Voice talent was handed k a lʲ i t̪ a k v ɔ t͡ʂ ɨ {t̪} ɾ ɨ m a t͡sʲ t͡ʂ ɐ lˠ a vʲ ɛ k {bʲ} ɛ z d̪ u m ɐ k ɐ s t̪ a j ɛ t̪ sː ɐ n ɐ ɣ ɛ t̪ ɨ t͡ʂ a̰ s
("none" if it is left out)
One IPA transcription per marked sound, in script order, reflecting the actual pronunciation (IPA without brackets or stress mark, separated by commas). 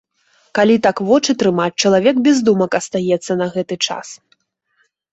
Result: t̪, bʲ